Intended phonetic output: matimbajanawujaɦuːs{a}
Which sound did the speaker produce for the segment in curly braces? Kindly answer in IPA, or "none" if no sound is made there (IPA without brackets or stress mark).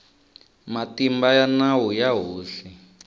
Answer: i